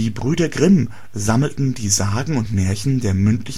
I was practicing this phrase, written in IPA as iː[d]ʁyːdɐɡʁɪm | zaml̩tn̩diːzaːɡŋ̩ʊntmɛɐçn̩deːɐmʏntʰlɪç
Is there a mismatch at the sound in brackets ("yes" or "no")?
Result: yes